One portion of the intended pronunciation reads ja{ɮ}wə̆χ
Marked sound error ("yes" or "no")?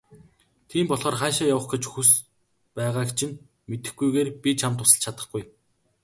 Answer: yes